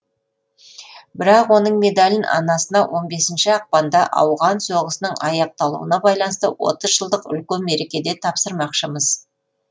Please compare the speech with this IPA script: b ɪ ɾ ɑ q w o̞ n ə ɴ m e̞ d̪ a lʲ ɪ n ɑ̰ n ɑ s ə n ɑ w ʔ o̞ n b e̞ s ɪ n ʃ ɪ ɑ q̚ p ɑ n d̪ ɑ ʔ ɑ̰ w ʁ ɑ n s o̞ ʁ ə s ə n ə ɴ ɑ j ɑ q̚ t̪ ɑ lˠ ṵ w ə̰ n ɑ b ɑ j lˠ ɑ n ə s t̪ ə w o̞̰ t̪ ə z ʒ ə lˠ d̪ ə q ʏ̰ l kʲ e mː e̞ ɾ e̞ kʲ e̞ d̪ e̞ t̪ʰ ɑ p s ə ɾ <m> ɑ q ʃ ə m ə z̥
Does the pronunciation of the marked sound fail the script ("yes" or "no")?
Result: no